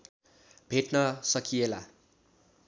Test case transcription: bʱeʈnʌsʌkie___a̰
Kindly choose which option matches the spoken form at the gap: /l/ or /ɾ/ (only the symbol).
l